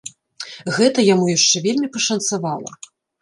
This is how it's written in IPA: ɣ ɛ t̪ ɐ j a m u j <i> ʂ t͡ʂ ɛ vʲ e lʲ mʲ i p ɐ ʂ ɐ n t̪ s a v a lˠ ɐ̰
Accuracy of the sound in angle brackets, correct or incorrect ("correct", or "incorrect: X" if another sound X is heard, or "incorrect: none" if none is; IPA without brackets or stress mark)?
incorrect: a